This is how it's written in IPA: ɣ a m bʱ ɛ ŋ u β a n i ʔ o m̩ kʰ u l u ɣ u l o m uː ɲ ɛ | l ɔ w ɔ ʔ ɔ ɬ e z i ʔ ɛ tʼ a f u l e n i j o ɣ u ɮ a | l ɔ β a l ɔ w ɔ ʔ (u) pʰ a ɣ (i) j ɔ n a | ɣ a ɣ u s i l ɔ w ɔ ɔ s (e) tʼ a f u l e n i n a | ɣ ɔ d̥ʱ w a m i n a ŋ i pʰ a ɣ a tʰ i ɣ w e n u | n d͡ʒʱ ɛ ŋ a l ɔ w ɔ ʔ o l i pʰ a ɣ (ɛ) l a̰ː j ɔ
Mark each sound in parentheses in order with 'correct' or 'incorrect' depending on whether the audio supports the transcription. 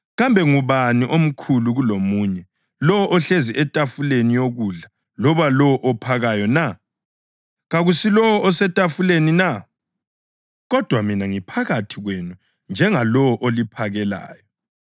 incorrect: ɔ, incorrect: a, incorrect: ɛ, correct

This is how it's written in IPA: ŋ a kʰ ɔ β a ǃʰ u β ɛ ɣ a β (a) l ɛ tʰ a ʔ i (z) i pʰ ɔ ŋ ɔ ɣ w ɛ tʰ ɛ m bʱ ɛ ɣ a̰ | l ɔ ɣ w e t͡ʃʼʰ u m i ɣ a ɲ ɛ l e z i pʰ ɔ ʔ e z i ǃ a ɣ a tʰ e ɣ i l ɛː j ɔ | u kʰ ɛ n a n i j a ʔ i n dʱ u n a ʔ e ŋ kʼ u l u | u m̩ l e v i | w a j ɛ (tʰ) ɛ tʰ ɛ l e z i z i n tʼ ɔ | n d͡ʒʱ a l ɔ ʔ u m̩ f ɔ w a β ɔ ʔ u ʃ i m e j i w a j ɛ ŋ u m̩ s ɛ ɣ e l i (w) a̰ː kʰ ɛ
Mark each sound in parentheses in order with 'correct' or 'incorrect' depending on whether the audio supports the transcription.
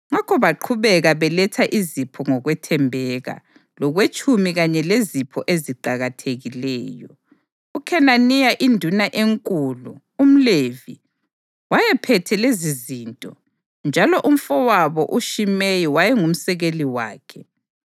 incorrect: ɛ, correct, incorrect: pʰ, correct

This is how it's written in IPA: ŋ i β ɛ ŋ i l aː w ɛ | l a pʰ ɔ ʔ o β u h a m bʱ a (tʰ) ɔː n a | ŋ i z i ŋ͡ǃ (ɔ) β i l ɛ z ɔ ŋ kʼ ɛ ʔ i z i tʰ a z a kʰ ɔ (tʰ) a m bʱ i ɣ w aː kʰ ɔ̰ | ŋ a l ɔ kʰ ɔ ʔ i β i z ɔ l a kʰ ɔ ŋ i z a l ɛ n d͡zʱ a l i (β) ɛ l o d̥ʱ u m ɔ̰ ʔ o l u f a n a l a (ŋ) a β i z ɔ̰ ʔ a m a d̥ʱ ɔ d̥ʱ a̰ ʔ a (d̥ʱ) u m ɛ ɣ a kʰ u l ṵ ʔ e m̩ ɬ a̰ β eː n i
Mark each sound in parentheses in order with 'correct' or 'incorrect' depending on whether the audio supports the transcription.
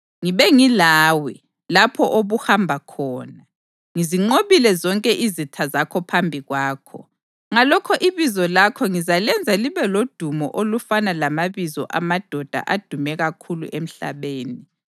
incorrect: kʰ, incorrect: o, incorrect: pʰ, correct, incorrect: m, correct

